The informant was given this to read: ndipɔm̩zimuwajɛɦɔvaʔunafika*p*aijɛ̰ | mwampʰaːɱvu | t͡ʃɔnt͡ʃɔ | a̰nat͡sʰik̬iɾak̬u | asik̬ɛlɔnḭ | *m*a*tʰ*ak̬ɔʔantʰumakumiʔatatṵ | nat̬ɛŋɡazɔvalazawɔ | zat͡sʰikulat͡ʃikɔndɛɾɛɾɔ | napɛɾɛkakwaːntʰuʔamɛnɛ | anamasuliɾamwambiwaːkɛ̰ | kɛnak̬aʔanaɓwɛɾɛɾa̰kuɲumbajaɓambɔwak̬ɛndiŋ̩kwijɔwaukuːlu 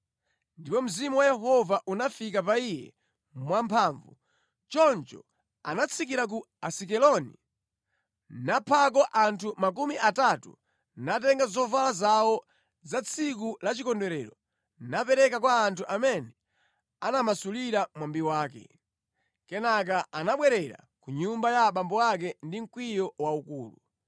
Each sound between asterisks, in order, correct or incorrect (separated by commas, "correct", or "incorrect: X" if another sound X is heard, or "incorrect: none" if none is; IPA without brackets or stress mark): correct, incorrect: n, incorrect: pʰ